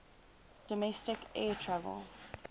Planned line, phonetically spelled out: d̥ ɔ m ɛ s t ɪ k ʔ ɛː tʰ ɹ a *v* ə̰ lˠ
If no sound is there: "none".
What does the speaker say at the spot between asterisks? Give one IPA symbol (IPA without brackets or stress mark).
v